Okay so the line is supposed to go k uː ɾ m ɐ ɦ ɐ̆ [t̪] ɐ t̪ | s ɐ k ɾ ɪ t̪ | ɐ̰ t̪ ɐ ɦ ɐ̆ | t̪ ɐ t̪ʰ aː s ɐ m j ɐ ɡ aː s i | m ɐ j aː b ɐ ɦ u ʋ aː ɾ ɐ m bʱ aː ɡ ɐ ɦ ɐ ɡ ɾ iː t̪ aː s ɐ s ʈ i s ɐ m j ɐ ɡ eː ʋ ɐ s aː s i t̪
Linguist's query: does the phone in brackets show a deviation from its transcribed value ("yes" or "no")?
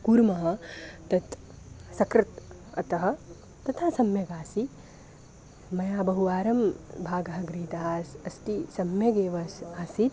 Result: no